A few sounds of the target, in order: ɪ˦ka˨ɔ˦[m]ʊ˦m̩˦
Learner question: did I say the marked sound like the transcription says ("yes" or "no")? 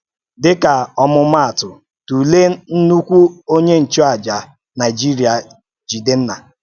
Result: yes